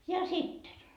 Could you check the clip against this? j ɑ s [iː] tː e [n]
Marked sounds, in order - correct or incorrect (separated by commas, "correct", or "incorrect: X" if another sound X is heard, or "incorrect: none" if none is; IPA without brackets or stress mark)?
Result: incorrect: i, correct